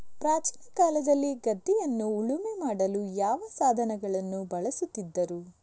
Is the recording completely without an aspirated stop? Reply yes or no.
yes